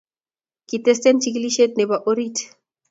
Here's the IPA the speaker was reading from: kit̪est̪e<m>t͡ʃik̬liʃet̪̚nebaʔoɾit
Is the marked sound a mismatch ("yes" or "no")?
yes